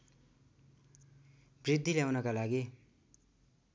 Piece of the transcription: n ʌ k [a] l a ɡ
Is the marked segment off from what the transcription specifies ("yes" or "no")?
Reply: no